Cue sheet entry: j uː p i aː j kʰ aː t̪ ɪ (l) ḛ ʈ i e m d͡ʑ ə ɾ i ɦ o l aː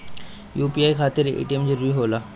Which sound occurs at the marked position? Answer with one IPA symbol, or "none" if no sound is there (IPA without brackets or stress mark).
ɾ